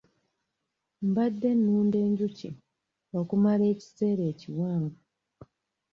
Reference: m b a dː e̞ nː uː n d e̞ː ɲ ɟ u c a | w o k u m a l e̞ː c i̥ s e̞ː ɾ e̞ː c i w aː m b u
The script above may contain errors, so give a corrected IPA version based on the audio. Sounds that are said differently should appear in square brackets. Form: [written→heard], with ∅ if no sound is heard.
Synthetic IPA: m b a dː e̞ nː uː n d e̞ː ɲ ɟ u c [a→i] | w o k u m a l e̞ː c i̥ s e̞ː ɾ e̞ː c i w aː m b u